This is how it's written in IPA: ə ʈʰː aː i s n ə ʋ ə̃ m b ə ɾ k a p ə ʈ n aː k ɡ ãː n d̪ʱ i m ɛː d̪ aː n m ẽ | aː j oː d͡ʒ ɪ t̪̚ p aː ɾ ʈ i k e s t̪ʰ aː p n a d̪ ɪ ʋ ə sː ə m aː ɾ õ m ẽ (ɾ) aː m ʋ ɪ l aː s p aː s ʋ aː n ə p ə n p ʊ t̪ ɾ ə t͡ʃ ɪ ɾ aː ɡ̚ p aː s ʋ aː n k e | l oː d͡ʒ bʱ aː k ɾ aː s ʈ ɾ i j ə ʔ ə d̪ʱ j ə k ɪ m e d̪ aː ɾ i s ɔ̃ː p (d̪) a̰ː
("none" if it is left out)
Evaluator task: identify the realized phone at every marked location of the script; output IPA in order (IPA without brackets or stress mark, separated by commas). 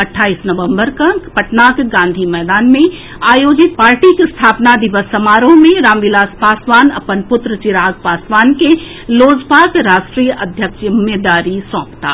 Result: ɾ, t̪